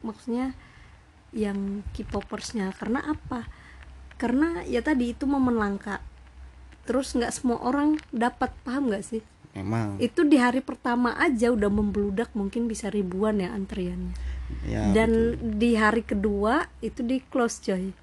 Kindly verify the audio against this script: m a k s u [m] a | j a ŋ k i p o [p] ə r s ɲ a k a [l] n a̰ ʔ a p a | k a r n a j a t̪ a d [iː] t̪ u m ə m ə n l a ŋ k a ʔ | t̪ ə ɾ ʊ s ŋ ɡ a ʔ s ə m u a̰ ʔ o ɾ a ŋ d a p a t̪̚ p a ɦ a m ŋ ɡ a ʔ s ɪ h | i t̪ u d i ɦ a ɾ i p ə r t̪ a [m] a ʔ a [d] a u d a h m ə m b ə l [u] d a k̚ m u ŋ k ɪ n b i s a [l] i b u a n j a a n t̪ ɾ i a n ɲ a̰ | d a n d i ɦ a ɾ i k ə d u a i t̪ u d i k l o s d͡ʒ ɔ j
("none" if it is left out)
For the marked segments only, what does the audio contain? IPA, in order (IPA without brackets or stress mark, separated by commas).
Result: ɲ, p, r, iː, m, d͡ʒ, u, ɾ